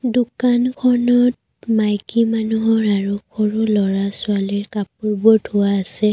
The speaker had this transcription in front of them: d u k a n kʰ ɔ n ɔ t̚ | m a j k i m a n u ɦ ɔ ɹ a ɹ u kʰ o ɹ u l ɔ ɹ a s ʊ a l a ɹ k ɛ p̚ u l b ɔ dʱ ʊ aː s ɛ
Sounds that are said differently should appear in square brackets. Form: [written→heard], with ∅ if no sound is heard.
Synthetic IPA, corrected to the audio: d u k a n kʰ ɔ n ɔ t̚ | m a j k i m a n u ɦ ɔ ɹ a ɹ u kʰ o ɹ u l ɔ ɹ a s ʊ a l [a→i] ɹ k [ɛ→a] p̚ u [l→ɹ] b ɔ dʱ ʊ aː s ɛ